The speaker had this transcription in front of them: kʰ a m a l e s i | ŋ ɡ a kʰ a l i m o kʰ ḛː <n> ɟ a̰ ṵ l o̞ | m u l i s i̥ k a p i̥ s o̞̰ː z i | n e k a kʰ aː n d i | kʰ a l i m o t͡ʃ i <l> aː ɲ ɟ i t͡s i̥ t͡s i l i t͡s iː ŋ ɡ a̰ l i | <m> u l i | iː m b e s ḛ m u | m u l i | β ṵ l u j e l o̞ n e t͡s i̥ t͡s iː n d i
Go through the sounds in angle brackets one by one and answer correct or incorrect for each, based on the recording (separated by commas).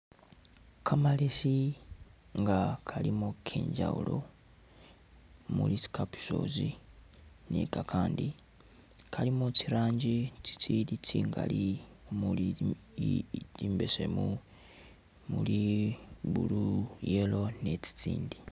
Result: incorrect, incorrect, correct